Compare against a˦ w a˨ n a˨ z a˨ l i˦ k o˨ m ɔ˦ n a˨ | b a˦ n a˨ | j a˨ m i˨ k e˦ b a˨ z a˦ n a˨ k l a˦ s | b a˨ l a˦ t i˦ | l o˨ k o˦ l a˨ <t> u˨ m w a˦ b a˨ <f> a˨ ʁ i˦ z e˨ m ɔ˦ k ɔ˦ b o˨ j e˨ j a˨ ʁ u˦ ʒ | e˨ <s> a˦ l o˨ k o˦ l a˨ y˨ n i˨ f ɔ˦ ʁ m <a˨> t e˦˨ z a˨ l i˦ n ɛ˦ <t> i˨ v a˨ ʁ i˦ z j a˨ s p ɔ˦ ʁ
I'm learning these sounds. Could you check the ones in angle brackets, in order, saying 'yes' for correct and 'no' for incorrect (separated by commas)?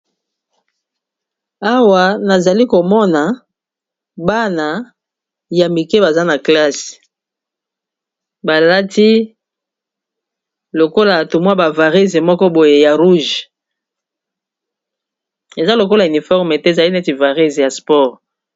yes, no, no, no, yes